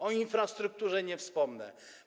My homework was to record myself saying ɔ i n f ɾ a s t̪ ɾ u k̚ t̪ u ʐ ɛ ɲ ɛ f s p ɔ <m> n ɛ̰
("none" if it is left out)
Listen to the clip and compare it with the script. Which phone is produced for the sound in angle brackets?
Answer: m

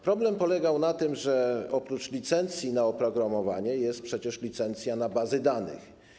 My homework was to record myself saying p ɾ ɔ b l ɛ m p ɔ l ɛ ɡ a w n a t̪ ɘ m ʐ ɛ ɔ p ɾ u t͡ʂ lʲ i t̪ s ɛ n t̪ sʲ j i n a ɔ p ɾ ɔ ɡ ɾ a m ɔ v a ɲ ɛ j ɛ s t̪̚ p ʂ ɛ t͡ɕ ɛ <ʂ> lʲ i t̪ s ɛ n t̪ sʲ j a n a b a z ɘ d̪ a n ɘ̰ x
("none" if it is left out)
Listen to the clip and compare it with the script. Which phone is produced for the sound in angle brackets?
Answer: ʂ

